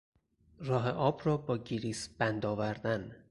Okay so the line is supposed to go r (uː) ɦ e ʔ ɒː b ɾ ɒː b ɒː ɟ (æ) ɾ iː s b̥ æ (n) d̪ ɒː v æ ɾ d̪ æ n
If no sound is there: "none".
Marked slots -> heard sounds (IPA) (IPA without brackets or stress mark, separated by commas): ɒː, i, n